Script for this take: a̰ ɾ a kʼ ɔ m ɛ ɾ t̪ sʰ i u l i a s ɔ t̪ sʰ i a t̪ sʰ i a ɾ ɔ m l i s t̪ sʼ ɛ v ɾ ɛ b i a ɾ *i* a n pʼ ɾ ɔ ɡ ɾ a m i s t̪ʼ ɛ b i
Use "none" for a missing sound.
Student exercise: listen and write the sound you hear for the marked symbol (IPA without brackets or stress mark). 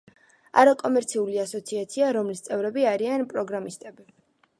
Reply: i